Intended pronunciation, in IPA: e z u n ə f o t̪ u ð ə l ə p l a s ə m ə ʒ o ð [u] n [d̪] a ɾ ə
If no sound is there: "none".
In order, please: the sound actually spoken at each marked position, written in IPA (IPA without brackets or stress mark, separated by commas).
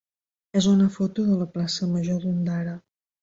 u, d̪